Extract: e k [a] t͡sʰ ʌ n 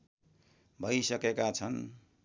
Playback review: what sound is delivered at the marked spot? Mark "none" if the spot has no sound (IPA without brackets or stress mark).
a